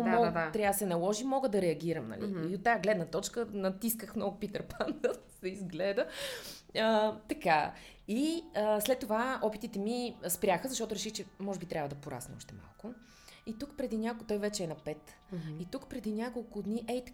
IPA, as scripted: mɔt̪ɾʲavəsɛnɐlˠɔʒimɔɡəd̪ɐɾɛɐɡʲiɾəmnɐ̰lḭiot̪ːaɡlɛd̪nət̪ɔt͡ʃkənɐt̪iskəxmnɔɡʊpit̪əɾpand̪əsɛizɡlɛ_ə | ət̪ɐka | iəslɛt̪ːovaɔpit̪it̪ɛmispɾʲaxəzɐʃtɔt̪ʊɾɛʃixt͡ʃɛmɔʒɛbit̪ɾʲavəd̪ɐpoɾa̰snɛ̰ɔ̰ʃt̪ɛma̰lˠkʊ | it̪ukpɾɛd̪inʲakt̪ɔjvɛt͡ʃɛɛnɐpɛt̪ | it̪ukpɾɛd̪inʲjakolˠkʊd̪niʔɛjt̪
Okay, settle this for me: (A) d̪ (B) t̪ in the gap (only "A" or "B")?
A